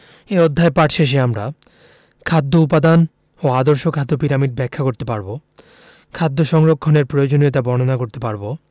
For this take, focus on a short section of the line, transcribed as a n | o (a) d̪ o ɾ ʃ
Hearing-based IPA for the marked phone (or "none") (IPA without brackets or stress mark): a